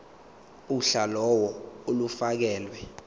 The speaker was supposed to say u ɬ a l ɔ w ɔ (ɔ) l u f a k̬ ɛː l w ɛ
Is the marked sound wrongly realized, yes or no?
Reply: yes